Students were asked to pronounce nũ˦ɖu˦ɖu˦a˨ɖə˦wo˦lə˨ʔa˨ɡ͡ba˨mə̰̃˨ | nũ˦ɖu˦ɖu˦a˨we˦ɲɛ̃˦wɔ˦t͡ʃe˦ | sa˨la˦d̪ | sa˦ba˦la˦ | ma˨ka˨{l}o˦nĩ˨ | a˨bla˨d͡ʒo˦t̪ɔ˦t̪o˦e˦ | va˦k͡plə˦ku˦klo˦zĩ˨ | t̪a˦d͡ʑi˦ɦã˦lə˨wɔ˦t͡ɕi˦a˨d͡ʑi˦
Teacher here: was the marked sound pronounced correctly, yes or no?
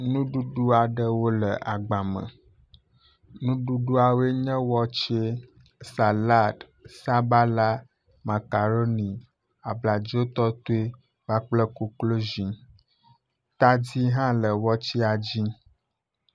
no